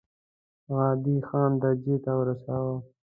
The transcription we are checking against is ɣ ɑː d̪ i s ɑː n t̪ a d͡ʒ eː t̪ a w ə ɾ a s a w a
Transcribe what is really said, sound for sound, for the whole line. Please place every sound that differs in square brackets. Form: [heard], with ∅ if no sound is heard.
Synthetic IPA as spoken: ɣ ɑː d̪ i [x] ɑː n [d̪] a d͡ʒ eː t̪ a w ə ɾ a s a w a

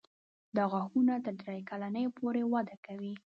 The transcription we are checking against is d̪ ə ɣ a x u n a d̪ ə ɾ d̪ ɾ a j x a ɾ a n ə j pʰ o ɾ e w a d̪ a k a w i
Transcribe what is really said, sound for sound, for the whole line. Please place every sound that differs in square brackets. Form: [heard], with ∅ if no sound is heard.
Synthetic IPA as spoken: d̪ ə ɣ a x u n a [t̪] ə ɾ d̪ ɾ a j [k] a [l] a n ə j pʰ o ɾ e w a d̪ a k a w i

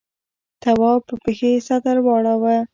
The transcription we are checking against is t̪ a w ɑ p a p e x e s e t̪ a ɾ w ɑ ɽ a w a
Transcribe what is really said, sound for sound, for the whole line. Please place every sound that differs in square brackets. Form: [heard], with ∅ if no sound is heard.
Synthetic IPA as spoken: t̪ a w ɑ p [ə] p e x e s [a] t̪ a ɾ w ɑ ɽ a w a

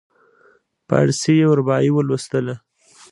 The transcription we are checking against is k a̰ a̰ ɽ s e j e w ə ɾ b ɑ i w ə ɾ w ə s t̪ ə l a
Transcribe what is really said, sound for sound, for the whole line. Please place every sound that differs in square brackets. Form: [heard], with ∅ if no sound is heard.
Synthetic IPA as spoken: [p] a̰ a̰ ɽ s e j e w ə ɾ b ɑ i w ə [l] w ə s t̪ ə l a

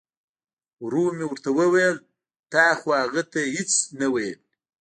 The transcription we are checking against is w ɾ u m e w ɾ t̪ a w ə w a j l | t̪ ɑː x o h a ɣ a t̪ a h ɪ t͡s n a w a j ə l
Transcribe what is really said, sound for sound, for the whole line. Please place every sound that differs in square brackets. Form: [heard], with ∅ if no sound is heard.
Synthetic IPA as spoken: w ɾ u m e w ɾ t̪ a w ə w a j l | t̪ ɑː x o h a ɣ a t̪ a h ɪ t͡s n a w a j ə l

